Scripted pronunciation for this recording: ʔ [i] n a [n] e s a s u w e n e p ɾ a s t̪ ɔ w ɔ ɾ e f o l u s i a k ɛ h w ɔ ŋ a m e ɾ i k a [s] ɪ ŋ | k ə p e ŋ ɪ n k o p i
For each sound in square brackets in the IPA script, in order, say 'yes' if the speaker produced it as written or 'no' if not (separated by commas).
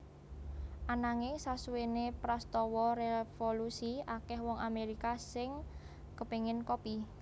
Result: no, no, yes